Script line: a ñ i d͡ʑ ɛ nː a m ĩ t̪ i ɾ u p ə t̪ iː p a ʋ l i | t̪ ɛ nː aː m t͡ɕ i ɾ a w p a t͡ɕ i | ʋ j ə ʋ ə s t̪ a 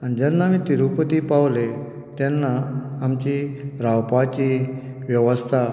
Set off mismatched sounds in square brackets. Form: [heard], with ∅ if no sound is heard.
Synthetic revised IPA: a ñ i d͡ʑ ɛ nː a m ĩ t̪ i ɾ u p ə t̪ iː p a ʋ l [e] | t̪ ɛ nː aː m t͡ɕ i ɾ a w p a t͡ɕ i | ʋ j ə ʋ ə s [t̪ʰ] a